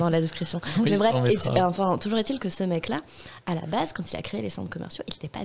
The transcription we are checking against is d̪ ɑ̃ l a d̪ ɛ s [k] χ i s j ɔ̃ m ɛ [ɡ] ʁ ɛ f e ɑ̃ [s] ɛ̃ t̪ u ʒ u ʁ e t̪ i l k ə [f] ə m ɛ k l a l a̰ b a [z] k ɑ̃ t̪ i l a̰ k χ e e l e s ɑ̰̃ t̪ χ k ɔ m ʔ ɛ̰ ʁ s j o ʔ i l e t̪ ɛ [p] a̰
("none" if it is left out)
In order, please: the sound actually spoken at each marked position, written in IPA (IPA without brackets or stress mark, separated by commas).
k, b, f, s, z, p